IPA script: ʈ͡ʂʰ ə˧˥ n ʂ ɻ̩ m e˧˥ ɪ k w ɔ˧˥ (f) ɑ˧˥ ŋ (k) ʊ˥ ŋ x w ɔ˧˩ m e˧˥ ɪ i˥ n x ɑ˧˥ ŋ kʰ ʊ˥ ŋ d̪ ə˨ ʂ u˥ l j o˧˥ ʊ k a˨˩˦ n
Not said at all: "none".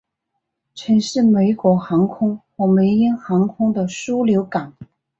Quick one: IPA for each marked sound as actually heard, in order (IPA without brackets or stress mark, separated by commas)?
x, kʰ